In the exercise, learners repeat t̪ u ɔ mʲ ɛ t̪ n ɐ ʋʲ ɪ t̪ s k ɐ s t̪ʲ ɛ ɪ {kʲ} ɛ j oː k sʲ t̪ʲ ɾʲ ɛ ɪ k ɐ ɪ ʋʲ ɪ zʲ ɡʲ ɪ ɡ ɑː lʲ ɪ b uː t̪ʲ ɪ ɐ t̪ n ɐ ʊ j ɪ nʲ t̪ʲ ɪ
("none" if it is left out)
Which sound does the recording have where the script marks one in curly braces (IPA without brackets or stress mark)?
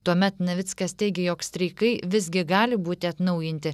ɡʲ